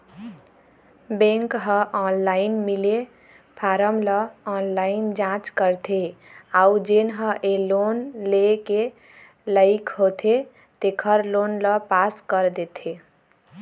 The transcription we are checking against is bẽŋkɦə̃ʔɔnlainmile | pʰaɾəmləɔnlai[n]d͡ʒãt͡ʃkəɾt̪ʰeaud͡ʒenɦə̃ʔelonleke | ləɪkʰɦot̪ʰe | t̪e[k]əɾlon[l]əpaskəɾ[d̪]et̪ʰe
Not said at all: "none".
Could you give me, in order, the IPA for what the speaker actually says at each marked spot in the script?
n, kʰ, l, d̪

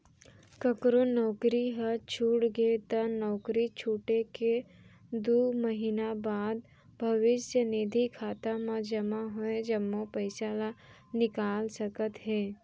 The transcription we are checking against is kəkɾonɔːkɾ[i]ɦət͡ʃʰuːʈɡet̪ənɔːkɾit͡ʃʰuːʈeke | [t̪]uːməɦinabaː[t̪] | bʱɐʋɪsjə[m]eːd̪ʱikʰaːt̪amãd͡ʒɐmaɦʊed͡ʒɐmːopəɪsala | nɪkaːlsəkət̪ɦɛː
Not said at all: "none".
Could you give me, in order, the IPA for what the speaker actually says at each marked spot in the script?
i, d̪, d̪, n

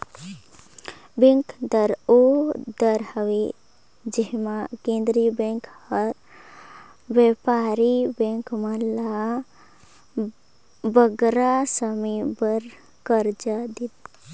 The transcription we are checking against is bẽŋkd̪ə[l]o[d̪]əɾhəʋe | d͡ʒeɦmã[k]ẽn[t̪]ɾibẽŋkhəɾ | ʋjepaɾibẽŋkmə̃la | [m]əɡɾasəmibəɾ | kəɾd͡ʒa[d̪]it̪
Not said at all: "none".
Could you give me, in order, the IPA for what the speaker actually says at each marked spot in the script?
ɾ, d̪, k, d̪, b, d̪

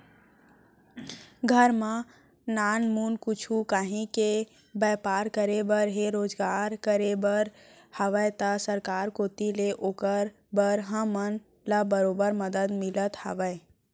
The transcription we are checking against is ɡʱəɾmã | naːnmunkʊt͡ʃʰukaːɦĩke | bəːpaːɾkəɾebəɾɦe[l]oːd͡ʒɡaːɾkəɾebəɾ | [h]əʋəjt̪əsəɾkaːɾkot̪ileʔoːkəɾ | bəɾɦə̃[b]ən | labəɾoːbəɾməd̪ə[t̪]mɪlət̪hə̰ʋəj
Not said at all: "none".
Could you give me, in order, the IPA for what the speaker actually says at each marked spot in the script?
ɾ, h, m, d̪

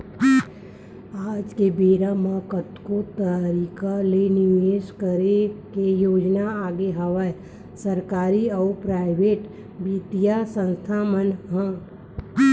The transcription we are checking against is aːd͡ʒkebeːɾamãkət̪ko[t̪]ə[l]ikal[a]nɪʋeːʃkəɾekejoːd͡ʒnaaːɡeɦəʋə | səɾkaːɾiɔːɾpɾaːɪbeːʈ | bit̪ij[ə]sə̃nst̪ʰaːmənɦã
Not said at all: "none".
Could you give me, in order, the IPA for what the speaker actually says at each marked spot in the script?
t̪, ɾ, e, a

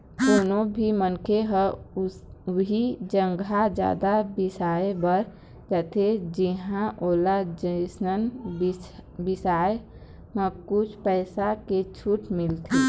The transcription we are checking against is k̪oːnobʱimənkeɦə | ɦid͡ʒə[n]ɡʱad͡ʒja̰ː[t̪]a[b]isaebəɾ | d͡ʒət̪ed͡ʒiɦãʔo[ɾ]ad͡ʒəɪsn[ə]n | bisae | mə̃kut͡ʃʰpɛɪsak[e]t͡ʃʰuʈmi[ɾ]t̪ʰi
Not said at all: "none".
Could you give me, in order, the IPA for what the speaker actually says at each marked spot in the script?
ŋ, d̪, b, l, ə, e, l

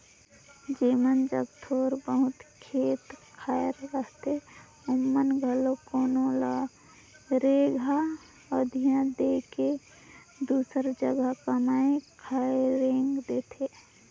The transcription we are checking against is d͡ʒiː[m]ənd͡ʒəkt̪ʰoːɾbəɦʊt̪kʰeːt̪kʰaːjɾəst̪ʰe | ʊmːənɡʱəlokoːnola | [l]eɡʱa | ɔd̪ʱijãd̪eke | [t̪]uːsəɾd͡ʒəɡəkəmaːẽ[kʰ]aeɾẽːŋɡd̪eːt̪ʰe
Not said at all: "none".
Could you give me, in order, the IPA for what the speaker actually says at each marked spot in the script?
m, ɾ, d̪, kʰ

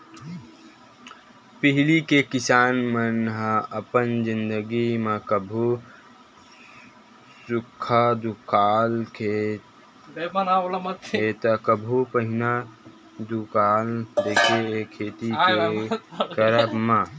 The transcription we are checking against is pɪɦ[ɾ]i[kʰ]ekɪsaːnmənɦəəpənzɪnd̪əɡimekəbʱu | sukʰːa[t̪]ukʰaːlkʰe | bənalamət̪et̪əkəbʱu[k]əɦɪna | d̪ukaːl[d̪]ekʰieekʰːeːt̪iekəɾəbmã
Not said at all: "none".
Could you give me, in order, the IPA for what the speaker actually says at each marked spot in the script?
l, k, d̪, p, d̪

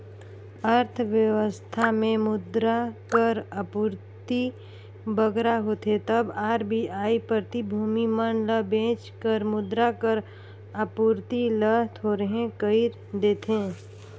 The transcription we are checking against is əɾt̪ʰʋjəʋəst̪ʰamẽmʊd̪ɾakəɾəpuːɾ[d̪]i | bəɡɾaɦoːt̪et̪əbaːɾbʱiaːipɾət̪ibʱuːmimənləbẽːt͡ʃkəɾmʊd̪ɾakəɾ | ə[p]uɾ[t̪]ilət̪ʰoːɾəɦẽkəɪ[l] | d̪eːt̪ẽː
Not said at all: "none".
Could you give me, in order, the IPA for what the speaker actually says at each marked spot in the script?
t̪, p, t̪, ɾ

